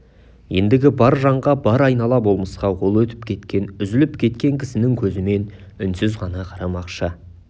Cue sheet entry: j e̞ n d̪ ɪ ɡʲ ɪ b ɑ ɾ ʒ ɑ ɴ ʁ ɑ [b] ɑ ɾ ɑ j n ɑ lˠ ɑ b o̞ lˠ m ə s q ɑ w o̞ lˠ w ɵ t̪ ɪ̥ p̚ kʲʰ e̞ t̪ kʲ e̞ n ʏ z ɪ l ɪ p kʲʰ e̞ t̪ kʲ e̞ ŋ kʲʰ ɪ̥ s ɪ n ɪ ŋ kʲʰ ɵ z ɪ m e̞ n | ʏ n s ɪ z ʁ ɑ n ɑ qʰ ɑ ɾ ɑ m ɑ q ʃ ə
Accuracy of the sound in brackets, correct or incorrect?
correct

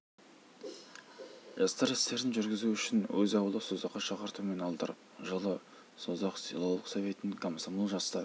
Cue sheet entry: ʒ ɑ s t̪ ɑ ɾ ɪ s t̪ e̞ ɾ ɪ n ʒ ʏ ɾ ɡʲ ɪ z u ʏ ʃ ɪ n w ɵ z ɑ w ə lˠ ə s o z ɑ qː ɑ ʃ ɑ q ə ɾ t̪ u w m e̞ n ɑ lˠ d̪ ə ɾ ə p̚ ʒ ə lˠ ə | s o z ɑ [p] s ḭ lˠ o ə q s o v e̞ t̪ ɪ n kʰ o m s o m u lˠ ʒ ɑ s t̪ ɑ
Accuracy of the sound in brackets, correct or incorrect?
incorrect: q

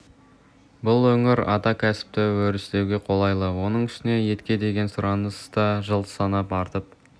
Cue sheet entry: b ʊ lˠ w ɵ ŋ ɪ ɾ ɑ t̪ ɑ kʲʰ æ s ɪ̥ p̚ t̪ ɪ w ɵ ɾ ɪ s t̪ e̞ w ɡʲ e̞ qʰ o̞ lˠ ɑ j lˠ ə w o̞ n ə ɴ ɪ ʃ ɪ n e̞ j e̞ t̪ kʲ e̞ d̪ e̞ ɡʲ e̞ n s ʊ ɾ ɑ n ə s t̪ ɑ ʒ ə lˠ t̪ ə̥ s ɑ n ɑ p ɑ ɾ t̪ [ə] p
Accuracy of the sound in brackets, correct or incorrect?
correct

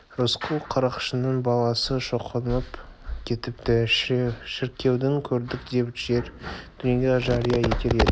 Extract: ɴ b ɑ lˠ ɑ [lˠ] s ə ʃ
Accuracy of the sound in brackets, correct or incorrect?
incorrect: none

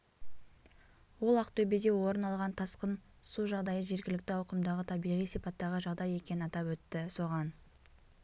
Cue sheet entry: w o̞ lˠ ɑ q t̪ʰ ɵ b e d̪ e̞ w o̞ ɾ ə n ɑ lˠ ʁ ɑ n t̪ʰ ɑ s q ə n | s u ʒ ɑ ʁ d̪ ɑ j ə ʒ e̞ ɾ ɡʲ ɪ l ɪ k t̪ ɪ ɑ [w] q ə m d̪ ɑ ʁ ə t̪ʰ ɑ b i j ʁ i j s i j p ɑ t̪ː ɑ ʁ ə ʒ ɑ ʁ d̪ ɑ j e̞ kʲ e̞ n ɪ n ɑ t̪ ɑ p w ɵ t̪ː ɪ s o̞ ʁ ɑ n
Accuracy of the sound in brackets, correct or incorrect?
correct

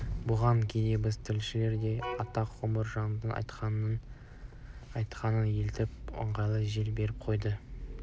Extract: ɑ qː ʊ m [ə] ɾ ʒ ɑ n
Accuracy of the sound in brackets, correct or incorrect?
correct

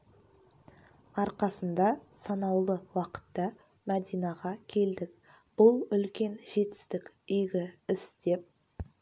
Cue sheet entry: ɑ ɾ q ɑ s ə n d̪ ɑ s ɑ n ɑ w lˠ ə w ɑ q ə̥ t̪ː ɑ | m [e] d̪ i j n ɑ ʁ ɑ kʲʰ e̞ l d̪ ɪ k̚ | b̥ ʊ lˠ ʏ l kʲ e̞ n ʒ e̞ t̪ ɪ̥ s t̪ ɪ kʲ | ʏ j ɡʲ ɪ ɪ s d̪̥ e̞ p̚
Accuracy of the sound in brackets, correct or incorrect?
incorrect: æ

